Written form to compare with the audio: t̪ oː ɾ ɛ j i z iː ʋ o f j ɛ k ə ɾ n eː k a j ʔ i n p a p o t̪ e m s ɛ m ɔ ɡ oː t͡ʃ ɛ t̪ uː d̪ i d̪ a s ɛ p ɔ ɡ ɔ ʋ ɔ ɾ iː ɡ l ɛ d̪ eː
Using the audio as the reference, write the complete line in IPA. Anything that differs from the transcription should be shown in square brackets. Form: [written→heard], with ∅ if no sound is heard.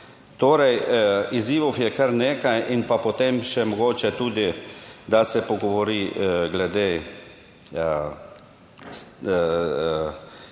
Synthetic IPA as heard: t̪ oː ɾ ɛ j i z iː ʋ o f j ɛ k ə ɾ n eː k a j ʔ i n p a p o t̪ e m [s→ʃ] ɛ m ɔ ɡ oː t͡ʃ ɛ t̪ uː d̪ i d̪ a s ɛ p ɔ ɡ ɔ ʋ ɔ ɾ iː ɡ l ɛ d̪ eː